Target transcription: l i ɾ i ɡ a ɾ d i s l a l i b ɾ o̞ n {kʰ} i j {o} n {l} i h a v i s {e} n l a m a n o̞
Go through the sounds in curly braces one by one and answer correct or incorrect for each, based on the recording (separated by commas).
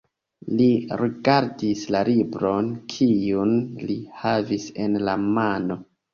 correct, incorrect, correct, correct